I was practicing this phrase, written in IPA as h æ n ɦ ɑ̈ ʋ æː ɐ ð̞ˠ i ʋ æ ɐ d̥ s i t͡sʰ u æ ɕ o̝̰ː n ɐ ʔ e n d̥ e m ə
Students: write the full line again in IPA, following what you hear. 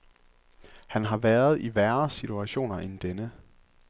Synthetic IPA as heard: h æ n ɦ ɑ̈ ʋ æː ɐ ð̞ˠ i ʋ æ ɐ s i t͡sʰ u æ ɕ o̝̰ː n ɐ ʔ e n d̥ e n ə